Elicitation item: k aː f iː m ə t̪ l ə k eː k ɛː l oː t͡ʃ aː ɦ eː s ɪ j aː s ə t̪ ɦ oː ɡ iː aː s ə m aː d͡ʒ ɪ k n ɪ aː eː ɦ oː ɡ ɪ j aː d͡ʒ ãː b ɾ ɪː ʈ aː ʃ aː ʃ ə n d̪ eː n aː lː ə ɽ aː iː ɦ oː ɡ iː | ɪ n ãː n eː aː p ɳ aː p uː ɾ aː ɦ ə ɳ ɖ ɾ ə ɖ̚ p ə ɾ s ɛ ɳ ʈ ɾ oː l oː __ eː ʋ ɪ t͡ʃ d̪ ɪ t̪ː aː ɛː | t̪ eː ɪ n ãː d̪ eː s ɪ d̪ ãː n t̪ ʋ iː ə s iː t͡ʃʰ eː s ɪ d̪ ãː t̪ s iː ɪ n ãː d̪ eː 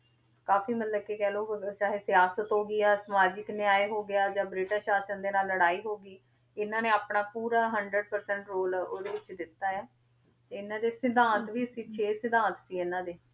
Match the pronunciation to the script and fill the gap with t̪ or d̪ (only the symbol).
d̪